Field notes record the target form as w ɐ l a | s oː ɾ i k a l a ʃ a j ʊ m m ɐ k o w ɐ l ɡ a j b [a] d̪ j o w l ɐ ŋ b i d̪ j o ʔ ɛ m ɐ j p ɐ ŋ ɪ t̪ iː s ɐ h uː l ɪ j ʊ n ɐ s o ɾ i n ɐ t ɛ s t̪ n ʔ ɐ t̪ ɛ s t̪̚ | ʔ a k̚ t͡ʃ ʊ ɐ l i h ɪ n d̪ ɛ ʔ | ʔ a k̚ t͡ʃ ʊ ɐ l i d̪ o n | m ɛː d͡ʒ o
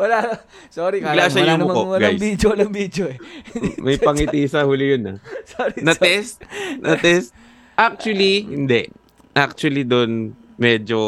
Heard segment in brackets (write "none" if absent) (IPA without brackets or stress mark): i